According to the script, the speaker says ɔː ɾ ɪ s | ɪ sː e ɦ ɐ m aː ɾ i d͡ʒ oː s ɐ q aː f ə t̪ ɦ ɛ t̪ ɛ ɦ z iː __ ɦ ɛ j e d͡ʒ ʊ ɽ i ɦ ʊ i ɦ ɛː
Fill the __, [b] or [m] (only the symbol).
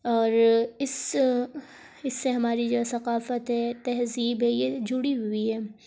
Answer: b